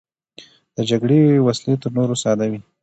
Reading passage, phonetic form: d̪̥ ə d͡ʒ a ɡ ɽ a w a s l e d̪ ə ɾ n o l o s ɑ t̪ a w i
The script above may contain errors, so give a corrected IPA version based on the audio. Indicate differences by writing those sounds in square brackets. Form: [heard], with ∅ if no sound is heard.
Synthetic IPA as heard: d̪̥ ə d͡ʒ a ɡ ɽ [e] w a s l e [t̪] ə ɾ n o [ɾ] o s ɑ [d̪] a w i